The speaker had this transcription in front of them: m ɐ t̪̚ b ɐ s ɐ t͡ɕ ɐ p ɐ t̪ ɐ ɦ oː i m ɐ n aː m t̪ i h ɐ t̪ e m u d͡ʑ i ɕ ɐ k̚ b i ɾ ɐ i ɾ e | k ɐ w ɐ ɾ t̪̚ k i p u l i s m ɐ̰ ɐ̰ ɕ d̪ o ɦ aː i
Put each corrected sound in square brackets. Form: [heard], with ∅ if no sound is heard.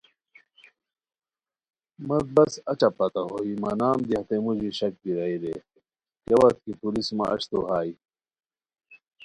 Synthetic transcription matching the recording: m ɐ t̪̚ b ɐ s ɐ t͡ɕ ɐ p ɐ t̪ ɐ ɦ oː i m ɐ n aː m [d̪] i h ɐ t̪ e m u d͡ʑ i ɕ ɐ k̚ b i ɾ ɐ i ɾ e | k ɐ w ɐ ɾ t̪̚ k i p u l i s m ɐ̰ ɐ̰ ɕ [t̪] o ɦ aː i